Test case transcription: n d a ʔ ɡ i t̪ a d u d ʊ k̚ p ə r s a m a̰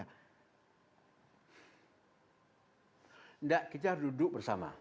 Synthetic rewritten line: n d a ʔ k i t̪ a d u d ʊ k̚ b ə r s a m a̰